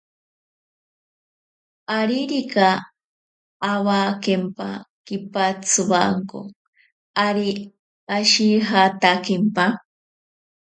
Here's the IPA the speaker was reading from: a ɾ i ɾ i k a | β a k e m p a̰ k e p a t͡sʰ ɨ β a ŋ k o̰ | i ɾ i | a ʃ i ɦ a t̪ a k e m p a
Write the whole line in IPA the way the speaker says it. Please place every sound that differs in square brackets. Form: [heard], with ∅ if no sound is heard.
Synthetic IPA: a ɾ i ɾ i k a | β a k e m p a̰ k [i] p a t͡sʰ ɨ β a ŋ k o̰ | [a] ɾ i | a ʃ i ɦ a t̪ a k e m p a